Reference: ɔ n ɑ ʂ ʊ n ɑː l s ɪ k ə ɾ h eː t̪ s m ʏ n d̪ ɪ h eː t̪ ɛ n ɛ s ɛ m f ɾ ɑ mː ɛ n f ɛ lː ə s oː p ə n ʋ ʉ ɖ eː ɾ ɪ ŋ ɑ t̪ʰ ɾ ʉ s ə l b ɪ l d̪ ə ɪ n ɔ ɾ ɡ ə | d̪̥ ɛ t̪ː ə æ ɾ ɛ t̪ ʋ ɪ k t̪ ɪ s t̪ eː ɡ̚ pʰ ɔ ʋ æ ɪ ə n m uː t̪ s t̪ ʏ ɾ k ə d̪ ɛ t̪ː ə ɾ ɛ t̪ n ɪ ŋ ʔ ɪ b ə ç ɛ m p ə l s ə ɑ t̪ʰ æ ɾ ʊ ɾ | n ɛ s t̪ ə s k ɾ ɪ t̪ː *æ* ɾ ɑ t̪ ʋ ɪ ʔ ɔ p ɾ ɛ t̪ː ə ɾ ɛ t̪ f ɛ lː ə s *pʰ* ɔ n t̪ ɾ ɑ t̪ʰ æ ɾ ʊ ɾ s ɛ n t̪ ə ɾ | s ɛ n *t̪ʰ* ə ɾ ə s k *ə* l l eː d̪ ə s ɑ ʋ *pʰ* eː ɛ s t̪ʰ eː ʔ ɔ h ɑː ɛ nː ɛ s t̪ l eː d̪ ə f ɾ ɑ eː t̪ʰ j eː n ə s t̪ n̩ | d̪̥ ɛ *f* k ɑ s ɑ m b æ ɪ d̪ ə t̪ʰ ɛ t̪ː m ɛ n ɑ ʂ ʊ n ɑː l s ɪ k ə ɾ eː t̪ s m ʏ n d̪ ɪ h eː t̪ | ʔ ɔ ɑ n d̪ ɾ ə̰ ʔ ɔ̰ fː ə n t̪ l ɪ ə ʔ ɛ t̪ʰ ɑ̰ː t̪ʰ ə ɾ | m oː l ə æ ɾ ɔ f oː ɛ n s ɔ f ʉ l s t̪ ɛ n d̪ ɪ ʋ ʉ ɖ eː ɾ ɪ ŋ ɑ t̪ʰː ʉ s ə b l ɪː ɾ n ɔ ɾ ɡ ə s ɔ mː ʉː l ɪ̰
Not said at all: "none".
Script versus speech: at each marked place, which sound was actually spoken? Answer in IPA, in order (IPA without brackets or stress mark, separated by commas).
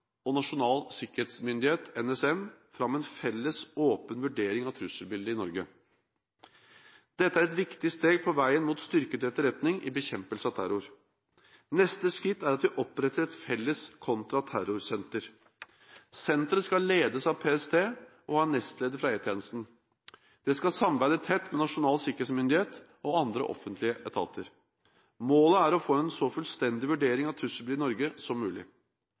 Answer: æ, kʰ, t̪, ɑ, pʰ, s